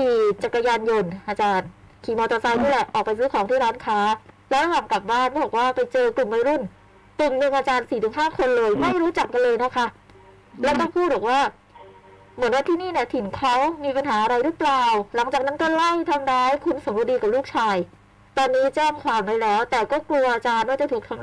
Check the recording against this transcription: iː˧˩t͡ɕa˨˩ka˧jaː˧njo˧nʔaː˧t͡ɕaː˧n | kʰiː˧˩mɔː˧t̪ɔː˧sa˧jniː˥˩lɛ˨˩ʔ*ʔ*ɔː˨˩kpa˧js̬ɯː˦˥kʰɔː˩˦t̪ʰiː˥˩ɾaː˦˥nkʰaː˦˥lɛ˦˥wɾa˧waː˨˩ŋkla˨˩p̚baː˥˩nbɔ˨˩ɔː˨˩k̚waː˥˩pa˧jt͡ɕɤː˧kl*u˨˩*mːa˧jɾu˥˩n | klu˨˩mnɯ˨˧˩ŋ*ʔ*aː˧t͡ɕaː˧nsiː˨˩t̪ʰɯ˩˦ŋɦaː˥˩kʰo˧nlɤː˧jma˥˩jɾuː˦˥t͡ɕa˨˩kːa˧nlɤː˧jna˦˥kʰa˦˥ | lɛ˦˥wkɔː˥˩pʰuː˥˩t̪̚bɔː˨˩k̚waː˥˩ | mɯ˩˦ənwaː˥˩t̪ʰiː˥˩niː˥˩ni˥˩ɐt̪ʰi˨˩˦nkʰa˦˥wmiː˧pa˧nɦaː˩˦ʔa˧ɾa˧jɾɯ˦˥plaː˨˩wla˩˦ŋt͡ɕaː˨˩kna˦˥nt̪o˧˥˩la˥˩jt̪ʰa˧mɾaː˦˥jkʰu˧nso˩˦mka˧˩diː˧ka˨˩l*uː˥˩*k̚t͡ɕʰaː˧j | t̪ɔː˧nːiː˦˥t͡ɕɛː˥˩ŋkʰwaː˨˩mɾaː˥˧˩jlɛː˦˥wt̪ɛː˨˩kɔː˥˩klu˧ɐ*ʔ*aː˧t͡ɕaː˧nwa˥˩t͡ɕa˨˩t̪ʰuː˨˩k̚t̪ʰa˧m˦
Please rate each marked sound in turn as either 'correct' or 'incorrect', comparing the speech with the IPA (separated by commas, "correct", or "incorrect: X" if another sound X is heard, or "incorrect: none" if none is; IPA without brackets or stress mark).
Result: correct, correct, correct, correct, correct